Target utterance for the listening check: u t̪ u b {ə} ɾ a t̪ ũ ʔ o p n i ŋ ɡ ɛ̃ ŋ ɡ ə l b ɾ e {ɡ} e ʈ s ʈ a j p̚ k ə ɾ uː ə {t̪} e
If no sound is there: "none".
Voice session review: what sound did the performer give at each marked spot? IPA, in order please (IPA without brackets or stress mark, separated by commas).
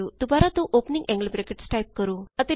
a, k, t̪